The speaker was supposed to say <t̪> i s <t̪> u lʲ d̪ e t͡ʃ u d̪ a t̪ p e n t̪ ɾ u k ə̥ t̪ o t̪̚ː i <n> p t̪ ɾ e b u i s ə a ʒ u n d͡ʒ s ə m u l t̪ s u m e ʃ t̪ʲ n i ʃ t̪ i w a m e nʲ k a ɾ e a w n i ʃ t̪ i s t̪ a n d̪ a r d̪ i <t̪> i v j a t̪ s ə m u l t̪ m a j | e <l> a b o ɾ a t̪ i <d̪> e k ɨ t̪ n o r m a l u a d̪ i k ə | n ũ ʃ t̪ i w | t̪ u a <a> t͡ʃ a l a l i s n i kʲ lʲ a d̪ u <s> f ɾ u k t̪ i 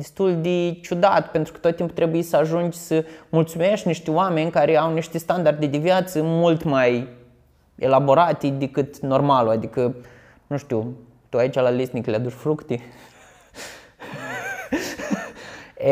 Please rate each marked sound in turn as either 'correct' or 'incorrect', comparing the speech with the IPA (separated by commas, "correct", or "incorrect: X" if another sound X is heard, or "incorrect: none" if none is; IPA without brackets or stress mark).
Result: incorrect: d̪, correct, incorrect: m, incorrect: d̪, correct, correct, incorrect: i, incorrect: ʃ